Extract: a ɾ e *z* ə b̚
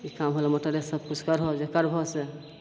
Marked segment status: incorrect: s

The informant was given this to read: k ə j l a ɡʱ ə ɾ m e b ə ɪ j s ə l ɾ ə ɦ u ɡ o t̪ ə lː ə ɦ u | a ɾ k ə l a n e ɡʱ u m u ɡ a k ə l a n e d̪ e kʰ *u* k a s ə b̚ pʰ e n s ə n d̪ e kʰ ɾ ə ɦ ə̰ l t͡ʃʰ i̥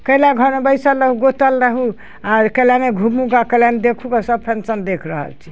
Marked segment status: correct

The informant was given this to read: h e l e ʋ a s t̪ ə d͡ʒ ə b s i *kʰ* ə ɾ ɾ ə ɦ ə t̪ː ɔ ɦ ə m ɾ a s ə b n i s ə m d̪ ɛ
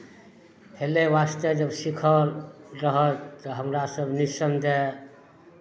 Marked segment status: correct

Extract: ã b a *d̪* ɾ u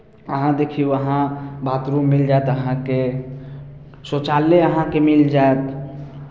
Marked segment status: incorrect: t̪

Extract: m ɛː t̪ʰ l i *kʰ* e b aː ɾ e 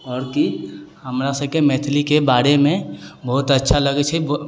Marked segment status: incorrect: k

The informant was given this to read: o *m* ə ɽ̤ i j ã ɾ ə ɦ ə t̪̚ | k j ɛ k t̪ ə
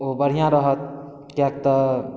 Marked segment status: incorrect: b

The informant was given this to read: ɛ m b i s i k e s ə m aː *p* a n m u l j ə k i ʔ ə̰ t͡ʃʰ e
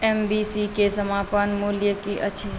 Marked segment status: correct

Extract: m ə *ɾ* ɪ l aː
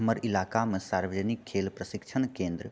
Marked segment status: correct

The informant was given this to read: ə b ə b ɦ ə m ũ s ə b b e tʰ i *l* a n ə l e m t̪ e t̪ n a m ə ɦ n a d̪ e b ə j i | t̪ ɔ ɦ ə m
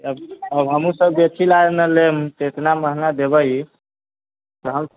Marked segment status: correct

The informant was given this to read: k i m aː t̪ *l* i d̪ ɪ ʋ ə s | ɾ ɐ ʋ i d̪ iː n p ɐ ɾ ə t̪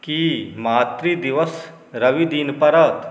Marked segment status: incorrect: ɾ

